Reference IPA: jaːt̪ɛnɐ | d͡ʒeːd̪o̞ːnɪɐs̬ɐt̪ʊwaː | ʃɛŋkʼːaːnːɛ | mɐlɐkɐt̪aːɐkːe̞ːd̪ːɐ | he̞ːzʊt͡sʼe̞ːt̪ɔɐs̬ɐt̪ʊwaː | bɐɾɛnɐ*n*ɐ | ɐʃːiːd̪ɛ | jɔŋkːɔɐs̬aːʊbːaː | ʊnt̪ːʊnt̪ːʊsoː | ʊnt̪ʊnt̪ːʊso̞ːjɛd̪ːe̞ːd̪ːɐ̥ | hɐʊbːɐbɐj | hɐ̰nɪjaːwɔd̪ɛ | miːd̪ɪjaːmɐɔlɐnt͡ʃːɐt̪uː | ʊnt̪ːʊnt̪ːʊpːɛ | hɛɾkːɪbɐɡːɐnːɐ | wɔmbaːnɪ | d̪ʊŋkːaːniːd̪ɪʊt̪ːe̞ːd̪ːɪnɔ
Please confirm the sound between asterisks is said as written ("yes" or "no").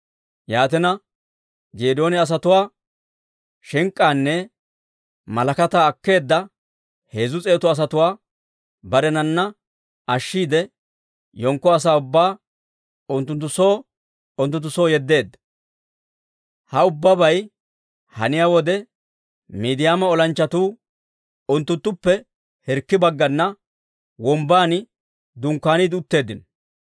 no